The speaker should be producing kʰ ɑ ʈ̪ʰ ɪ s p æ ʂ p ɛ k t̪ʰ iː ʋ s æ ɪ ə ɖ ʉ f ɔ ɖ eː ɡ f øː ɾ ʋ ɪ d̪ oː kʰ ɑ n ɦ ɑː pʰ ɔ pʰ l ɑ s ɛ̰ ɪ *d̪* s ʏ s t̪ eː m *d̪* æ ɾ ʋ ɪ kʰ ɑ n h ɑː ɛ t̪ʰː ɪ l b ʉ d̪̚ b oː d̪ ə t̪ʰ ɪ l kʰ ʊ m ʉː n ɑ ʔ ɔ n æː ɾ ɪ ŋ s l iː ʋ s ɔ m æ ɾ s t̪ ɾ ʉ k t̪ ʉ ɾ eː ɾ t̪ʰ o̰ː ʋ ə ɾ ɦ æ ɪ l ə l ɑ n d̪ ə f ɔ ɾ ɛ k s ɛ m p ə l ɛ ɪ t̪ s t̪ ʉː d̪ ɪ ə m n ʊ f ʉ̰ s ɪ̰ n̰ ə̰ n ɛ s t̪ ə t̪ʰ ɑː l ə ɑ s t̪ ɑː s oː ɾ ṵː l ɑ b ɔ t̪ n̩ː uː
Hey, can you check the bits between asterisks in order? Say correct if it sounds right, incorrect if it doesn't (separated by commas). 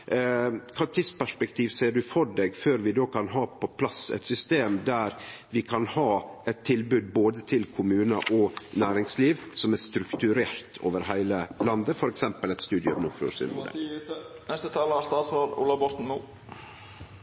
incorrect, correct